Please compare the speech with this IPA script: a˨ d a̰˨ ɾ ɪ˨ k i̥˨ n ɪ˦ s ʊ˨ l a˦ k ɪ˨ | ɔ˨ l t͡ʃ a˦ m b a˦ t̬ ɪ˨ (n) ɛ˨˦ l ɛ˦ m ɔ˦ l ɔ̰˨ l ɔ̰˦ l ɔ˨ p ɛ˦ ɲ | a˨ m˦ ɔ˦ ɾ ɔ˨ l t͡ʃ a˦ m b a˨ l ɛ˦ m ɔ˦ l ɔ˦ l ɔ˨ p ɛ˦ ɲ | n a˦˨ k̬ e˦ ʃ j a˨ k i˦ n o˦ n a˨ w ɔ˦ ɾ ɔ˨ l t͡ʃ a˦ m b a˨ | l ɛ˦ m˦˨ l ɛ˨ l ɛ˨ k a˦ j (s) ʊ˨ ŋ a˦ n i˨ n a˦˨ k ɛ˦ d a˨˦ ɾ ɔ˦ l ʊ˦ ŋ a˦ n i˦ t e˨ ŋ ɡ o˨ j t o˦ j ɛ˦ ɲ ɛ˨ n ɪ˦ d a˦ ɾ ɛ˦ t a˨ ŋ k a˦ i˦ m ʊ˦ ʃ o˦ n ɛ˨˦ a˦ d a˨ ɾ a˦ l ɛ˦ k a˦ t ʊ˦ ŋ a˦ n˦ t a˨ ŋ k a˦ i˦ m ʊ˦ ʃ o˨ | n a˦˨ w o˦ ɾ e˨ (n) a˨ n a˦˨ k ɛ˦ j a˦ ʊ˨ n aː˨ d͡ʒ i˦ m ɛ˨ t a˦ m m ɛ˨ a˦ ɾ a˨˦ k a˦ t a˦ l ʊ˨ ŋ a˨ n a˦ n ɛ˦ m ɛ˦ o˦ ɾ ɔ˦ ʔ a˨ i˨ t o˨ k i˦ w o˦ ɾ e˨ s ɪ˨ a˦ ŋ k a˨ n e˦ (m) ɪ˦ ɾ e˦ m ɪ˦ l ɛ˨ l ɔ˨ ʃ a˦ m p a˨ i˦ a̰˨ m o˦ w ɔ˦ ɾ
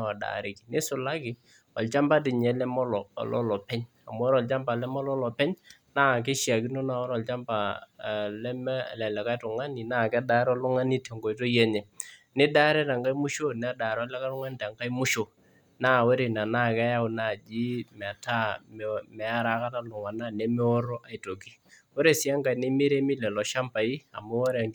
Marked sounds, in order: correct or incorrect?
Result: incorrect: ɲ, incorrect: t, correct, correct

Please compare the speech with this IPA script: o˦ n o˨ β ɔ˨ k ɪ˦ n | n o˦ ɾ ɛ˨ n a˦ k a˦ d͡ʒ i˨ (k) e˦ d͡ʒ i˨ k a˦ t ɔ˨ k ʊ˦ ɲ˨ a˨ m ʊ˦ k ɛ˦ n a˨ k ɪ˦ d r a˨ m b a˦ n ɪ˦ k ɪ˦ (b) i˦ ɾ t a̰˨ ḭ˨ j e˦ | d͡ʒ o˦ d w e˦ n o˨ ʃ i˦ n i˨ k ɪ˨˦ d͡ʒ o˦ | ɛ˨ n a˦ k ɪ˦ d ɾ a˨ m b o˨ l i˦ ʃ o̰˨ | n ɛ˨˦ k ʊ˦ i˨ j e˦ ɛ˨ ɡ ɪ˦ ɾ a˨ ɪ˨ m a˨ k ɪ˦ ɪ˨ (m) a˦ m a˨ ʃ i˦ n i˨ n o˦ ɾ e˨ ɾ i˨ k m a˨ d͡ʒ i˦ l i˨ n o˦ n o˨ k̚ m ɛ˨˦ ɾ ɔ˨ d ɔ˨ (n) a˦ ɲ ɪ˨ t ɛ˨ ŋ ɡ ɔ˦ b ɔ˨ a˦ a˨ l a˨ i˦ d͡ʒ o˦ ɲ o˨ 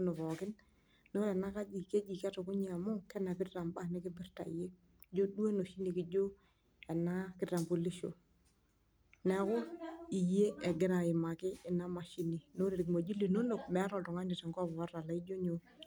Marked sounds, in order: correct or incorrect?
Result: correct, correct, incorrect: n, incorrect: ŋ

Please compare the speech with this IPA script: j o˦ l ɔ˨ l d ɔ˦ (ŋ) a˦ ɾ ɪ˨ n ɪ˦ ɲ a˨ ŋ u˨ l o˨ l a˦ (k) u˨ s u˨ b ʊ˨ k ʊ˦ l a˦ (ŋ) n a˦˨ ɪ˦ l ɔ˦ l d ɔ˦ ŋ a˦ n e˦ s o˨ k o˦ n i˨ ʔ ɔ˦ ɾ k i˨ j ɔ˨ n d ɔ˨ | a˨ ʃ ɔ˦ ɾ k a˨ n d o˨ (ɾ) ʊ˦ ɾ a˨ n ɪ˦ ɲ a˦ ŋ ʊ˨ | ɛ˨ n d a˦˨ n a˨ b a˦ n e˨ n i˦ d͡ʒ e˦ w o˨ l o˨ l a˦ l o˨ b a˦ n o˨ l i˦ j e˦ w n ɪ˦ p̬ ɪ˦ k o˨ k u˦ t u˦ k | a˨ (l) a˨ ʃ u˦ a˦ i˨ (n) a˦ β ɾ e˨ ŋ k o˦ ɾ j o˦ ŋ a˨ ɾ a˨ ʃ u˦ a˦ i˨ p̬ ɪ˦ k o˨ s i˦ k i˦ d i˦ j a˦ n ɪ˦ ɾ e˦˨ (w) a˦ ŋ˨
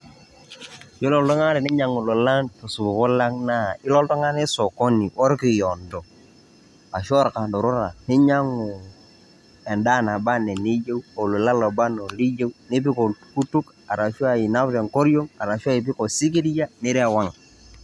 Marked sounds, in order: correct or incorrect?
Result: correct, incorrect: t, correct, correct, incorrect: ɾ, correct, correct

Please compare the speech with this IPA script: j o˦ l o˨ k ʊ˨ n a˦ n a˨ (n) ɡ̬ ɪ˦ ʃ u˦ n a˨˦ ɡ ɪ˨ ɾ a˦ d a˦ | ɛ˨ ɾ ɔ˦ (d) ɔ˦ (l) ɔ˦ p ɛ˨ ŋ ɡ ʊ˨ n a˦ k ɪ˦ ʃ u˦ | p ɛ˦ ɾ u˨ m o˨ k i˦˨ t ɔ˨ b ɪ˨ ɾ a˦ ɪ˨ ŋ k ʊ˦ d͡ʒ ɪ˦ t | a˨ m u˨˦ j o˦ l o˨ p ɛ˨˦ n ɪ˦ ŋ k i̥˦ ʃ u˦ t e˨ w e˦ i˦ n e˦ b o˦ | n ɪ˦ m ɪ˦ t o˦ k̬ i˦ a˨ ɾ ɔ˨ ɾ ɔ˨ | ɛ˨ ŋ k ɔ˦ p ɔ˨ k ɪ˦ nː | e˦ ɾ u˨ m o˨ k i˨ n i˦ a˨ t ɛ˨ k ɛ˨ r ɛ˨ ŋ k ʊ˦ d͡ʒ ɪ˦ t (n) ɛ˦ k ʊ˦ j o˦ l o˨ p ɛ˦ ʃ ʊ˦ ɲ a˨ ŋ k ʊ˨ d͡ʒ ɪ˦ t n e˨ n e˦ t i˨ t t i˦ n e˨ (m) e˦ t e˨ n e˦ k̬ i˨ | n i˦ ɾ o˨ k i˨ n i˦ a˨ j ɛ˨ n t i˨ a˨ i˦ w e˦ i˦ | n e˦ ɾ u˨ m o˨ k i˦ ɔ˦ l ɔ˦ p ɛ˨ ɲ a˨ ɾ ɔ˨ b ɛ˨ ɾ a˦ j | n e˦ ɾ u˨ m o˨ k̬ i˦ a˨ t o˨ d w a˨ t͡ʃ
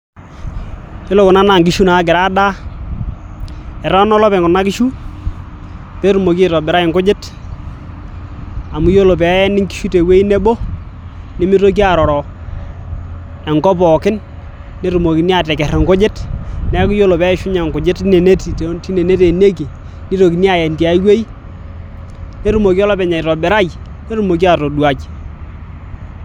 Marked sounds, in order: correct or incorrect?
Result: incorrect: ŋ, incorrect: n, correct, correct, incorrect: n

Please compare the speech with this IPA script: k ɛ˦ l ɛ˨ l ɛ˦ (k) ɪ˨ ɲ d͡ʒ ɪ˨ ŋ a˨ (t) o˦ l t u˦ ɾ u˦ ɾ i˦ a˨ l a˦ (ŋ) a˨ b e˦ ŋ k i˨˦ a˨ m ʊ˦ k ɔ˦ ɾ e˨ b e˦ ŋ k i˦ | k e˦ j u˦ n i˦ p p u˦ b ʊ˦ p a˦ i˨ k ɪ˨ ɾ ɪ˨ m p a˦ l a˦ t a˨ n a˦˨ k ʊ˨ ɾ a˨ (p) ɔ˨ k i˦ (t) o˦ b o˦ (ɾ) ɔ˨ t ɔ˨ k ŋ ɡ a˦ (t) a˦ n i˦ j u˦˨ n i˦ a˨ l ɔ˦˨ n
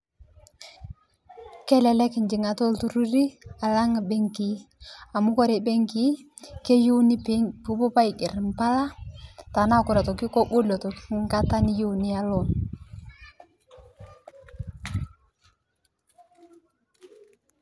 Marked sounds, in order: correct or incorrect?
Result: correct, correct, correct, incorrect: t, incorrect: k, incorrect: l, correct

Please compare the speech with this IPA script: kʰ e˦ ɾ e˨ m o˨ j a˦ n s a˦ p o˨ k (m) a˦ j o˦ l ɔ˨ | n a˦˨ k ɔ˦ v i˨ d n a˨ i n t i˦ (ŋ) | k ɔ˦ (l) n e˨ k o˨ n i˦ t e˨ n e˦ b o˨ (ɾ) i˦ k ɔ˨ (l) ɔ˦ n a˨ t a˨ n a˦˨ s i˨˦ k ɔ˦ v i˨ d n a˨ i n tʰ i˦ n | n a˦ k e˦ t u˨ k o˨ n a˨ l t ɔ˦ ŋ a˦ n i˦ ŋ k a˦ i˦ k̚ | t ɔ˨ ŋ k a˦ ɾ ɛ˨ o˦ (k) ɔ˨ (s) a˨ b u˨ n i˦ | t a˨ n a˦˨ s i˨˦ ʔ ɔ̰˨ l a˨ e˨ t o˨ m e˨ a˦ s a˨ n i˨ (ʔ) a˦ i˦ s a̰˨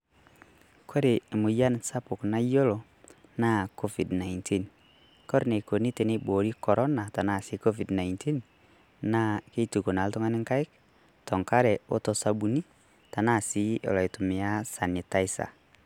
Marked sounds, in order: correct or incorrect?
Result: incorrect: n, incorrect: n, incorrect: ɾ, correct, incorrect: ɾ, incorrect: t, correct, incorrect: t

